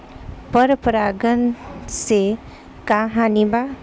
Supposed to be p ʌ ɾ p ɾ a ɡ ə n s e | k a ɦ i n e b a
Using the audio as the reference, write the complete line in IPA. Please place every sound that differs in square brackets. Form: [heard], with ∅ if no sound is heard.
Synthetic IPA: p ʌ ɾ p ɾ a ɡ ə n s e | k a ɦ [a] n [i] b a